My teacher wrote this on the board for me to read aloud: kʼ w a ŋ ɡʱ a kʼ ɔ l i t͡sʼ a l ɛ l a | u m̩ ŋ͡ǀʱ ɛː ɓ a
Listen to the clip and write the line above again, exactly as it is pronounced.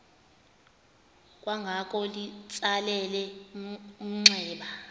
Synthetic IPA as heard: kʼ w a ŋ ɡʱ a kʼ ɔ l i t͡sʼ a l ɛ l ɛ | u m̩ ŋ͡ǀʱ ɛː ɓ a